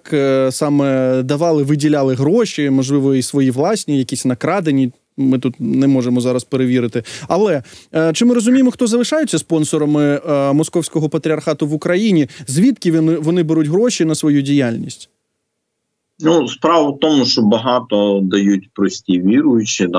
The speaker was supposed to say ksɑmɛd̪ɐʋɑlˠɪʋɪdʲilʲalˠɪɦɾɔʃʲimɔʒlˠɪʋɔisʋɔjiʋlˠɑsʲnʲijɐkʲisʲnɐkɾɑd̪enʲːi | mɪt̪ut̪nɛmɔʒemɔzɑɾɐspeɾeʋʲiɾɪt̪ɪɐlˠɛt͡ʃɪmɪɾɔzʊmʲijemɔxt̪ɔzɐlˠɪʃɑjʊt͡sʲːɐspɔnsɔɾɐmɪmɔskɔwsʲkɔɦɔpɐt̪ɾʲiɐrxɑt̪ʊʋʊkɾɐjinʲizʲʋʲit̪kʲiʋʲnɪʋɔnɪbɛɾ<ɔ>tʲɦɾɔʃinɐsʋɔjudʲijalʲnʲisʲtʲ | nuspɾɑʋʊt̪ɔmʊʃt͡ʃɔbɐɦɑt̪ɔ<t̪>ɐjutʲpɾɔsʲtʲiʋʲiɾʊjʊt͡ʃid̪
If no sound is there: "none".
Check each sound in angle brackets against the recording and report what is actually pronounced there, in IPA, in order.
u, d̪

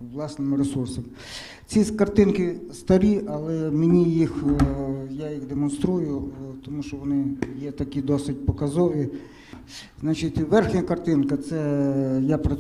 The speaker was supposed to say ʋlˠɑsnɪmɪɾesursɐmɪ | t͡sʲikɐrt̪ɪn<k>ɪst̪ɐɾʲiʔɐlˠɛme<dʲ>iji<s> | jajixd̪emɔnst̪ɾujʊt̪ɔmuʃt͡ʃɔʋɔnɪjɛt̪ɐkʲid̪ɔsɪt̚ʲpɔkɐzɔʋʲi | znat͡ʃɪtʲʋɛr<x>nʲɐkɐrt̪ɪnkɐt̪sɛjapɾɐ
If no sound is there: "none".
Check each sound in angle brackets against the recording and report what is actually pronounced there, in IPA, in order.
k, nʲ, x, x

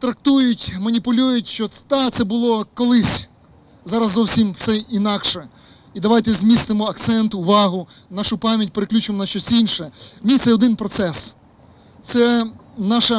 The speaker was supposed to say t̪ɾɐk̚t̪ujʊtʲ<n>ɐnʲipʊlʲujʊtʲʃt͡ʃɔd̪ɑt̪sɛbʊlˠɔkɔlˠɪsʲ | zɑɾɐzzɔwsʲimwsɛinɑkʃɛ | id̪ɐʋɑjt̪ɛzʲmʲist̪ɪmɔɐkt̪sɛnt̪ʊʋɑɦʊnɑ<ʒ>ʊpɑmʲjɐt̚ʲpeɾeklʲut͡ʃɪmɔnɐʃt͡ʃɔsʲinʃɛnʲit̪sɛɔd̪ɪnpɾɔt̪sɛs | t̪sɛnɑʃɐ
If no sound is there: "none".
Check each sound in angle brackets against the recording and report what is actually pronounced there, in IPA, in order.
m, ʃ

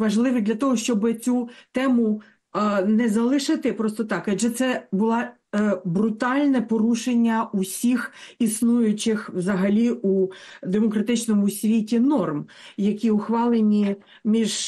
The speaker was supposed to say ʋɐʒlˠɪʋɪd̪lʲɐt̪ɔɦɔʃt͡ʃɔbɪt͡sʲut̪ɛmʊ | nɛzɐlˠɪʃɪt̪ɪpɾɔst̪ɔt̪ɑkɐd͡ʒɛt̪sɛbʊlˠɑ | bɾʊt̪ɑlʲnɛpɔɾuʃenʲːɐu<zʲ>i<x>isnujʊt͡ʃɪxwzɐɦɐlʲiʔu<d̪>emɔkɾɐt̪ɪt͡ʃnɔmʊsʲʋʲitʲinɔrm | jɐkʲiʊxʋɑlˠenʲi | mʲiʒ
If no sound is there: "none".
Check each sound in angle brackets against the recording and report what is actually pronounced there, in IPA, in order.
sʲ, x, d̪

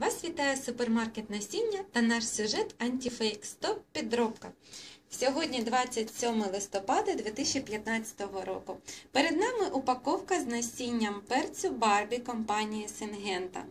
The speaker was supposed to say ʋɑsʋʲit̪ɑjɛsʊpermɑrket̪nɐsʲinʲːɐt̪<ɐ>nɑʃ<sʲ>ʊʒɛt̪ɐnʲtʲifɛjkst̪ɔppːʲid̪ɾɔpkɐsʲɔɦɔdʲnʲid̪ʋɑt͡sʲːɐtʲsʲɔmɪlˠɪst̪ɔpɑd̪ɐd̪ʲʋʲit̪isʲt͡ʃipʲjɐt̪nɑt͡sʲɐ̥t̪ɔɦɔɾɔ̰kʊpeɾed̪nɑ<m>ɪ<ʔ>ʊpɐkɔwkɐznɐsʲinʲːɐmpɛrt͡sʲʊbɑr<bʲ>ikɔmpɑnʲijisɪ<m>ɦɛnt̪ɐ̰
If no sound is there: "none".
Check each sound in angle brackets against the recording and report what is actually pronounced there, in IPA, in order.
ɐ, sʲ, m, ʔ, bʲ, n

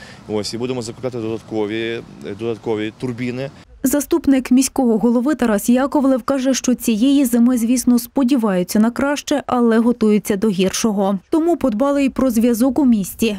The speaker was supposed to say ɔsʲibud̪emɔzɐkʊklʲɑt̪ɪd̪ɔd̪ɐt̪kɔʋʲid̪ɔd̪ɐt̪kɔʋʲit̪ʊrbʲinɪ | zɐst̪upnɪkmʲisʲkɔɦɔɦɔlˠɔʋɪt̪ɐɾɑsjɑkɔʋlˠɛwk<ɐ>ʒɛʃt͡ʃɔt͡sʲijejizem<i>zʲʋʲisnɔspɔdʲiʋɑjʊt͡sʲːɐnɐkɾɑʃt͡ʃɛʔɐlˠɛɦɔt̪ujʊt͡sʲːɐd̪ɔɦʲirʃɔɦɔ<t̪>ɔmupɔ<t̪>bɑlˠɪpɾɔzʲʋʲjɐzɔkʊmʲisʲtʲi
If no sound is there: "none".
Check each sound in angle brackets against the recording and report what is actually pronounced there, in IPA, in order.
ɑ, ɪ, t̪, d̪

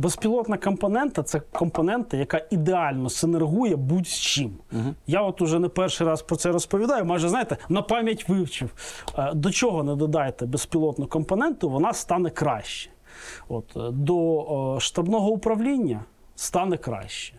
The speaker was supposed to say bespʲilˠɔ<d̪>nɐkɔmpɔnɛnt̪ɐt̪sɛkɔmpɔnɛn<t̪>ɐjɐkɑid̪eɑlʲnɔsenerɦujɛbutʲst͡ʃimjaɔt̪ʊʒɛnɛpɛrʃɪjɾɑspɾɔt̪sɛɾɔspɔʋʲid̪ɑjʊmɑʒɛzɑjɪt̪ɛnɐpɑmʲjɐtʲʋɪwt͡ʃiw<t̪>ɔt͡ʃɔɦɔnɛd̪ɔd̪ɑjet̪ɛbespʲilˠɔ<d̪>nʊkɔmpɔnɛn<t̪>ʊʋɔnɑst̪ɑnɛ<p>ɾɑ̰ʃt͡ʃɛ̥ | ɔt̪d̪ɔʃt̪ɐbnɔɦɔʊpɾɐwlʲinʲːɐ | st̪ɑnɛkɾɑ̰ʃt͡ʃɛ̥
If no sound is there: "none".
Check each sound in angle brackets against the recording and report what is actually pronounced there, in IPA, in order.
t̪, t̪, d̪, t̪, t̪, k

